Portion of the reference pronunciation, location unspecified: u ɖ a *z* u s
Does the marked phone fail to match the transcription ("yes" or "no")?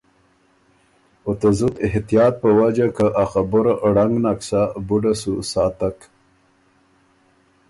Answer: yes